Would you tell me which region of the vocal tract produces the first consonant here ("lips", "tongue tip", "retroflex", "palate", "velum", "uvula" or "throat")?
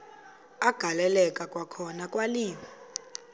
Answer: velum